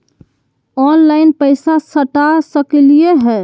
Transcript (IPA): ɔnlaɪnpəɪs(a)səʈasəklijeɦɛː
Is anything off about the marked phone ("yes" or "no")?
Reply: no